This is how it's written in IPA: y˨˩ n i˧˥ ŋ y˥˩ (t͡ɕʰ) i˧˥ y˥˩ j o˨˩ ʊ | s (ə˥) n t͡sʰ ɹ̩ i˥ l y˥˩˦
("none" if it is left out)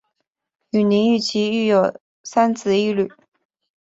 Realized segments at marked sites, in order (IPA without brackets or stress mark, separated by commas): t͡ɕʰ, a˥